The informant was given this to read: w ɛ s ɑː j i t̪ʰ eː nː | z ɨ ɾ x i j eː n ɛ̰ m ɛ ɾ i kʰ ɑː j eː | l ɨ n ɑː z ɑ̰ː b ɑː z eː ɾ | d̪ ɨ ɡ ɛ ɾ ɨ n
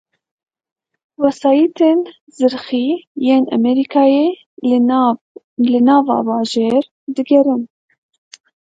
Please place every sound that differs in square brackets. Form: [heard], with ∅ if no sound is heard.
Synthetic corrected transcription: w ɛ s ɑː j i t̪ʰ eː [n] | z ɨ ɾ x i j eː n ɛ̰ m ɛ ɾ i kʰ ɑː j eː | l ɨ n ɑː [v] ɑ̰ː b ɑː [ʒ] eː ɾ | d̪ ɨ ɡ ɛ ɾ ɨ n